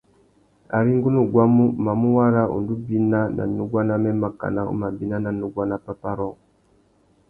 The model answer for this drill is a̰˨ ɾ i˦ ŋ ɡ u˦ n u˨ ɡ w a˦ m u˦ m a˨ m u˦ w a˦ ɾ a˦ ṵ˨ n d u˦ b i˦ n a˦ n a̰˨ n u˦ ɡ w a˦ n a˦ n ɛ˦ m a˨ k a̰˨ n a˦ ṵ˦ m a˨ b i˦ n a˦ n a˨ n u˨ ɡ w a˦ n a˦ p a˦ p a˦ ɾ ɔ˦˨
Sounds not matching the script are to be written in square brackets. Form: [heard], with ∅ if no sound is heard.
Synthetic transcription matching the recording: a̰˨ ɾ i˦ ŋ ɡ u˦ n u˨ ɡ w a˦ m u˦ m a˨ m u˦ w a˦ ɾ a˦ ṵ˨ n d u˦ b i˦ n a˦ n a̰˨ n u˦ ɡ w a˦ n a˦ [m] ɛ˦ m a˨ k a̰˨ n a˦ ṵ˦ m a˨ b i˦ n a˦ n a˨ n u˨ ɡ w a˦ n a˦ p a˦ p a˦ ɾ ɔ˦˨

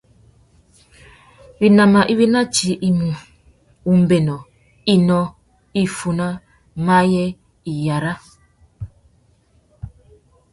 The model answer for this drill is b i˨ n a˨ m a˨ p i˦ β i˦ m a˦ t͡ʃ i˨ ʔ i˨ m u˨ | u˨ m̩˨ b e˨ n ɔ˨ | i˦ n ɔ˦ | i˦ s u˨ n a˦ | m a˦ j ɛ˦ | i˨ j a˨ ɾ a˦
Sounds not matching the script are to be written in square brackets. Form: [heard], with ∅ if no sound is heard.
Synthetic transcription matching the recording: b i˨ n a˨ m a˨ [ʔ] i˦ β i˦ [n] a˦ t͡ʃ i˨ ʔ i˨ m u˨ | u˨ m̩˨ b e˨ n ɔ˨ | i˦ n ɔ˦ | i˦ [f] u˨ n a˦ | m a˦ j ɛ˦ | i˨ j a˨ ɾ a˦

